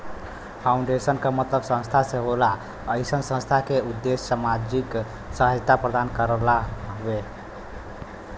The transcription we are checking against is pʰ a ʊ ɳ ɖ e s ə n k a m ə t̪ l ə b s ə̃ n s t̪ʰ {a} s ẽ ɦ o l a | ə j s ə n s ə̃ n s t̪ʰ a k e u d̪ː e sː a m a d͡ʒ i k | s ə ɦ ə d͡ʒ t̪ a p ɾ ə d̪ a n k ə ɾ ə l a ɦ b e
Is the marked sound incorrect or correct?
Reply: correct